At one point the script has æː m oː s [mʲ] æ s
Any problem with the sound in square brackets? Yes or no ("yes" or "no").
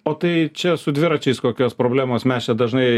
no